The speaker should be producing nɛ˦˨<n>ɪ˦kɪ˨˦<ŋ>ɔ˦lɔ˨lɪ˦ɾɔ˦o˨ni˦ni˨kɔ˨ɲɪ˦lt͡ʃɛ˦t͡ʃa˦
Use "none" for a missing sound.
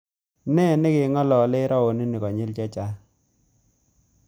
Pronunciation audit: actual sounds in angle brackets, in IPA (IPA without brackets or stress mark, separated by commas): n, ŋ